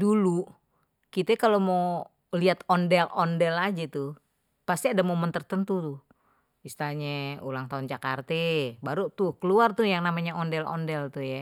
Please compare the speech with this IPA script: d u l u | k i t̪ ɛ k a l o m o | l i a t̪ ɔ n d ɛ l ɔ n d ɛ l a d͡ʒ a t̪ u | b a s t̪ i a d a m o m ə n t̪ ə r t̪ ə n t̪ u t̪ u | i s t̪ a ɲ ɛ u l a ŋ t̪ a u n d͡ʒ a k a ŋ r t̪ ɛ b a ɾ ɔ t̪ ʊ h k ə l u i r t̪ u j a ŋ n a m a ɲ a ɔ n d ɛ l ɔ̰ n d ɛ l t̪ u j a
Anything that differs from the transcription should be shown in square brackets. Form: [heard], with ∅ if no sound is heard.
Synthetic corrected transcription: d u l u | k i t̪ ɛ k a l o m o | l i a t̪ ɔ n d ɛ l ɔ n d ɛ l a d͡ʒ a t̪ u | [p] a s t̪ i a d a m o m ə n t̪ ə r t̪ ə n t̪ u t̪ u | i s t̪ a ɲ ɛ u l a ŋ t̪ a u n d͡ʒ a k a [∅] r t̪ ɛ b a ɾ [u] t̪ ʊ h k ə l u [a] r t̪ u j a ŋ n a m a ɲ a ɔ n d ɛ l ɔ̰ n d ɛ l t̪ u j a